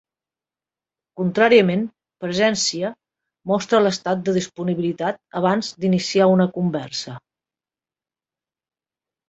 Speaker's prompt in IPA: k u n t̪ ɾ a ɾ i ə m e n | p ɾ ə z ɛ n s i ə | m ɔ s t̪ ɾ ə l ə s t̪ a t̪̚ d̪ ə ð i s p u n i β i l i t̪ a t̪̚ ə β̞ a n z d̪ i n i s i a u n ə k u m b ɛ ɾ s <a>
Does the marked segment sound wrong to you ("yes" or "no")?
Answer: yes